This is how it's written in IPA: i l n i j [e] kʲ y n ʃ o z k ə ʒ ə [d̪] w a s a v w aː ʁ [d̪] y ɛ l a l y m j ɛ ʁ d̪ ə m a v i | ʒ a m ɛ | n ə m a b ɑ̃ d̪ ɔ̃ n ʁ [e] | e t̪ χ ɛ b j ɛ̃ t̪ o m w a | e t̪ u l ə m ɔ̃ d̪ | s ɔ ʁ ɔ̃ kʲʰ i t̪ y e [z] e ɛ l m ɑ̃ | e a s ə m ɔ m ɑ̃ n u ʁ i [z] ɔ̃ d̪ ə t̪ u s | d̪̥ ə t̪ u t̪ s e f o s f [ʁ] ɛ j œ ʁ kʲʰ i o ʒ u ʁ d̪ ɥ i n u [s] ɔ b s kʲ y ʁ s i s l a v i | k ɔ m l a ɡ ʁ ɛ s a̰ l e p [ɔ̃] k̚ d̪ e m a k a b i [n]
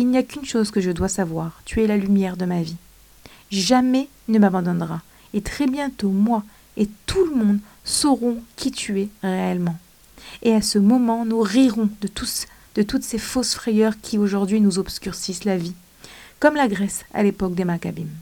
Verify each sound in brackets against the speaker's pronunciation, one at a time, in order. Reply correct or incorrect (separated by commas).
incorrect, correct, incorrect, incorrect, incorrect, incorrect, incorrect, incorrect, incorrect, incorrect